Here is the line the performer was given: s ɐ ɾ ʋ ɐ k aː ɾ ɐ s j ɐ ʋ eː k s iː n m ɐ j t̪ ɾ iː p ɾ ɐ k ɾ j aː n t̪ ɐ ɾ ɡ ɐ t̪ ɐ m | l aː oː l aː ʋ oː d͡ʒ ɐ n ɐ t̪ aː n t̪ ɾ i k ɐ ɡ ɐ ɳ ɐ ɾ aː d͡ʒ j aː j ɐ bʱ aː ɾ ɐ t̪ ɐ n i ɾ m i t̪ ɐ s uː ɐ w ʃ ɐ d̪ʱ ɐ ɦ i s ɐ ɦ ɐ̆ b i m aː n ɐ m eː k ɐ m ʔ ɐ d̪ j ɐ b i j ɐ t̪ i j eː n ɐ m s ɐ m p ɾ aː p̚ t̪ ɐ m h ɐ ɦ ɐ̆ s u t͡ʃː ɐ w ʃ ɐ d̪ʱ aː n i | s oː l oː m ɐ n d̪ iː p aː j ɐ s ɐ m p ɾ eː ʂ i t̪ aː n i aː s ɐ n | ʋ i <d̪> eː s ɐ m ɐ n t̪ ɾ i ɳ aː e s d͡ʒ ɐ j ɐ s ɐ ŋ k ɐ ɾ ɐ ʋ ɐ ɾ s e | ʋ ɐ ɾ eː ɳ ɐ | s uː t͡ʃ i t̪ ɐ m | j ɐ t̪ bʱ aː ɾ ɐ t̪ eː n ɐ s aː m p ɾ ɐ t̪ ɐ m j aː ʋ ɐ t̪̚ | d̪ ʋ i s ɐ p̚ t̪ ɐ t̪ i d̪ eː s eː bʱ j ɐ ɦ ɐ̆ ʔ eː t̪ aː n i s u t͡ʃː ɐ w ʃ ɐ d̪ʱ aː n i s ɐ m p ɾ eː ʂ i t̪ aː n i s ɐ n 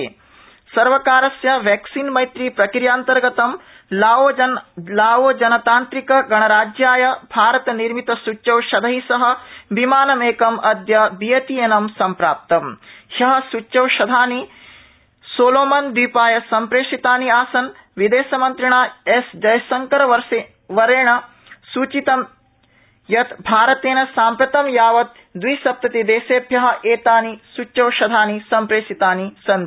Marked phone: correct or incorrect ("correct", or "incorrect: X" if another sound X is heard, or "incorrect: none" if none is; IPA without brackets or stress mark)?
correct